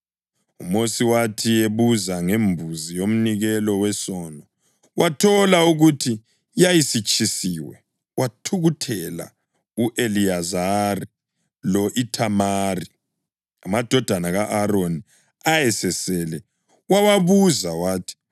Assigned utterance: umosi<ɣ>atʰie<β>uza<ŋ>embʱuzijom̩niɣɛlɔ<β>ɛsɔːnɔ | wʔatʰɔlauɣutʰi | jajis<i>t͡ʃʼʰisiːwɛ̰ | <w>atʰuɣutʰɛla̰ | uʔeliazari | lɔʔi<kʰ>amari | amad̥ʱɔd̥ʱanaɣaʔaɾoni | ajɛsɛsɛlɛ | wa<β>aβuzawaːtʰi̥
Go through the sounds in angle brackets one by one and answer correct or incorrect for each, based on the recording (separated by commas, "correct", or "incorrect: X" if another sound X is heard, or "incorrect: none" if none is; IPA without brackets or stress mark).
incorrect: w, correct, correct, incorrect: w, correct, correct, incorrect: tʰ, incorrect: w